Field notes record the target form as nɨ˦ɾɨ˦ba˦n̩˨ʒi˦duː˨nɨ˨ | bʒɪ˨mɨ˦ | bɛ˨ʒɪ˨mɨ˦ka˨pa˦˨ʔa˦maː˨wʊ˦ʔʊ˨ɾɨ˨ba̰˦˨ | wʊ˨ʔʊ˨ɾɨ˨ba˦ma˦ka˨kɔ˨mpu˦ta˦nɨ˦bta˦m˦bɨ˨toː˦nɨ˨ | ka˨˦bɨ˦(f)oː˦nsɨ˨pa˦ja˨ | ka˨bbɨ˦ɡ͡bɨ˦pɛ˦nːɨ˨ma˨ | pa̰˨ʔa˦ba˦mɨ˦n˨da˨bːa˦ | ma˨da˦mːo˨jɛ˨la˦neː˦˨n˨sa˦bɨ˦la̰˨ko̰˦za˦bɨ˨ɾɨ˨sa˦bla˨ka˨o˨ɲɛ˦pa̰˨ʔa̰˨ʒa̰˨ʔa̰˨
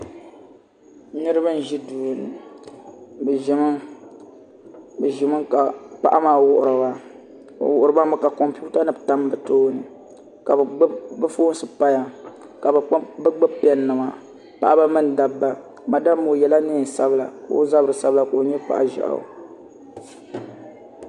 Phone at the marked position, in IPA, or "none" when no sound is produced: f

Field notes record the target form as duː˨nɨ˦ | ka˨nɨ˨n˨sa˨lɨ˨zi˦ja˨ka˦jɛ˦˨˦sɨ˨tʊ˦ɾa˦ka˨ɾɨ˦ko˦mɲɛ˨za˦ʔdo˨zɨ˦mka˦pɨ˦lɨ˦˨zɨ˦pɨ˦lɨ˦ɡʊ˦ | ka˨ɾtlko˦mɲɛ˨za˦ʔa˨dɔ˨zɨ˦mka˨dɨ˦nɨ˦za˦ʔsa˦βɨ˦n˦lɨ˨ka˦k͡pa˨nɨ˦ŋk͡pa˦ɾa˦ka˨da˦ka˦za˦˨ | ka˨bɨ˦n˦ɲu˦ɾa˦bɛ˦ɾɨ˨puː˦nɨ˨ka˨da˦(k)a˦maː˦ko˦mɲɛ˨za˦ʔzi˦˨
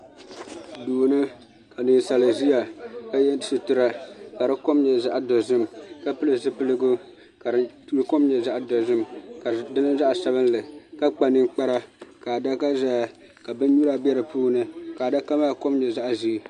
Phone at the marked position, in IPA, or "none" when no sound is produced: k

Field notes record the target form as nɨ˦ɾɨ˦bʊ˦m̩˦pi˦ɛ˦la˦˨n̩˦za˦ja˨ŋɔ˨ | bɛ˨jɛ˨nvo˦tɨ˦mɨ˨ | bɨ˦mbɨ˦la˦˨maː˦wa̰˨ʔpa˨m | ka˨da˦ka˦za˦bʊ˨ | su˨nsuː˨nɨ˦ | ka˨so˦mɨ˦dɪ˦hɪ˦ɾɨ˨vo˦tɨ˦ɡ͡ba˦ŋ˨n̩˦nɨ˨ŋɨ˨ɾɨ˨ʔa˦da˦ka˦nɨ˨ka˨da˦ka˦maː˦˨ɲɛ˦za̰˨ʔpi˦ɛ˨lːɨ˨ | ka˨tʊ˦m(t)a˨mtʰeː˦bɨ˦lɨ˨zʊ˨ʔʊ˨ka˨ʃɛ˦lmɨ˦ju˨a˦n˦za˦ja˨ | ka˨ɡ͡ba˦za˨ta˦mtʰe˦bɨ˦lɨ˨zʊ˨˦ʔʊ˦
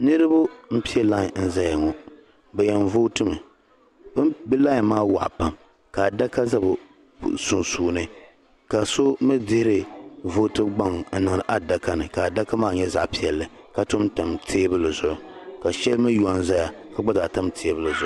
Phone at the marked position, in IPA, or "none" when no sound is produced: t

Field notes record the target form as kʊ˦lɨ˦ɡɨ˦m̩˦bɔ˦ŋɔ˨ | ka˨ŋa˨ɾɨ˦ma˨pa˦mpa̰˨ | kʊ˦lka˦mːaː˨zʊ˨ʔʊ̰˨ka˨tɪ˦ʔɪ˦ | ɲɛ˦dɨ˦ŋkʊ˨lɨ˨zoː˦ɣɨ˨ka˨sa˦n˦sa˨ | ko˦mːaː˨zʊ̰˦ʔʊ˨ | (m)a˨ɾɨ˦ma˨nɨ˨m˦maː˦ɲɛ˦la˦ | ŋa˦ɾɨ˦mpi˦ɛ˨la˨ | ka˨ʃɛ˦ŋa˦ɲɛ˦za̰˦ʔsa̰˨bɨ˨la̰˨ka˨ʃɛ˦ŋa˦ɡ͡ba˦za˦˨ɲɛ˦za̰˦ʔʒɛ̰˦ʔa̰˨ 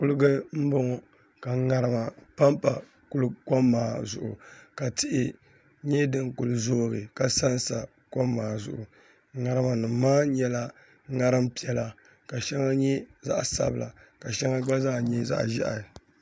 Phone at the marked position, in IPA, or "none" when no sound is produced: ŋ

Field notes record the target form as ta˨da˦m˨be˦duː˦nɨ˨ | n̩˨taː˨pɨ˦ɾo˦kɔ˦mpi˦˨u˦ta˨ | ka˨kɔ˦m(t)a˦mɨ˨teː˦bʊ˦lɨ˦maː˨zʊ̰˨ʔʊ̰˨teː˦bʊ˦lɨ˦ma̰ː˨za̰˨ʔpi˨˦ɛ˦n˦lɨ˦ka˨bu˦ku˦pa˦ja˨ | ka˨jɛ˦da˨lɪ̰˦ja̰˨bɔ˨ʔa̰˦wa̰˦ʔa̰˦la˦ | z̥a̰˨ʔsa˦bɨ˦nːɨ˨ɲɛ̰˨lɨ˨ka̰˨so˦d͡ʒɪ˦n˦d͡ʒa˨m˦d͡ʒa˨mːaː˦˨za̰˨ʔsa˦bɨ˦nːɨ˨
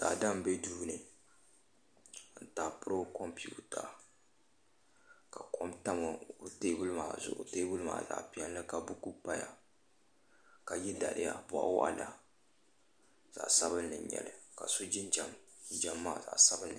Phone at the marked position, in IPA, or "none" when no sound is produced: t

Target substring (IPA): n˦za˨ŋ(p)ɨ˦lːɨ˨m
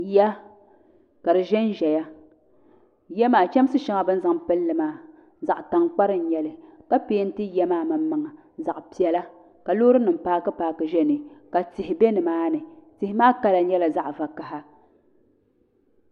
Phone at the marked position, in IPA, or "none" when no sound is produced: p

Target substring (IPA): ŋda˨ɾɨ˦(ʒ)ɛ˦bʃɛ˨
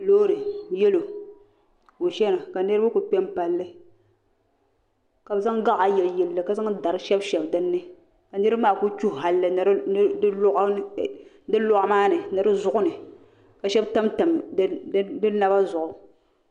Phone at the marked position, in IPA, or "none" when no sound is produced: ʃ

